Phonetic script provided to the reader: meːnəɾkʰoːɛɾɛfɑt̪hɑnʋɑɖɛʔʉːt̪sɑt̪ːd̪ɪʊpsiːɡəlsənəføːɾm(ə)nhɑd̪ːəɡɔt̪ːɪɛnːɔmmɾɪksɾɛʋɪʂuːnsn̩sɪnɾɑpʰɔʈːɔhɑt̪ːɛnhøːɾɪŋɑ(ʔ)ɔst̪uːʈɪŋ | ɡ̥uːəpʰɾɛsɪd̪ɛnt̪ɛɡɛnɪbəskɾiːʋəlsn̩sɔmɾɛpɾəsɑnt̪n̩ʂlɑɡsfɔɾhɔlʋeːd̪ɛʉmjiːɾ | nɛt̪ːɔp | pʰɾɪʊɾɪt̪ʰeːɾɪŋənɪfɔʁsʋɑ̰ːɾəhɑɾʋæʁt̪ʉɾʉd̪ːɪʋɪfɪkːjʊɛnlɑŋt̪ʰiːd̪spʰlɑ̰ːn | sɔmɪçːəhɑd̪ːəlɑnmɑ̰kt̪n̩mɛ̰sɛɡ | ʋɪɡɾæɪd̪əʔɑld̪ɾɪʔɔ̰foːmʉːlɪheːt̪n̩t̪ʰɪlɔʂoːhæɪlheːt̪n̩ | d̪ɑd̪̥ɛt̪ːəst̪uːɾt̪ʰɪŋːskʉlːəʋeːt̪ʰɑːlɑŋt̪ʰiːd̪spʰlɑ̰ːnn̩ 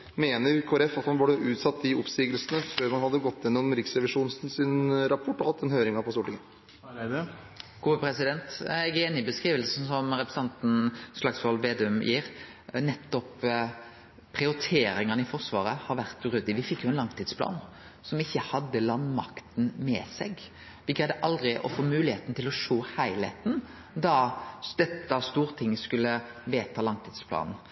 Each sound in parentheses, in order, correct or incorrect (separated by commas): incorrect, incorrect